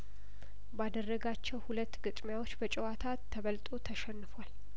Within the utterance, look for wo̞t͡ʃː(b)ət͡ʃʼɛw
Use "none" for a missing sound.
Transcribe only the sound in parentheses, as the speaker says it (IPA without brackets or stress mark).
b